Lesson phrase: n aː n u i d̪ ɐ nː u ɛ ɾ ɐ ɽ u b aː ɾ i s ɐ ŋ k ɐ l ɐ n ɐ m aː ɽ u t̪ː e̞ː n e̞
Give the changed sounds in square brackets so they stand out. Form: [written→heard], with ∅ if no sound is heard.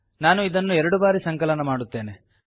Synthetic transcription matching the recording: n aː n u i d̪ ɐ nː u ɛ ɾ ɐ ɽ u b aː ɾ i s ɐ ŋ k ɐ l ɐ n ɐ m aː ɽ u t̪ː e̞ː n e̞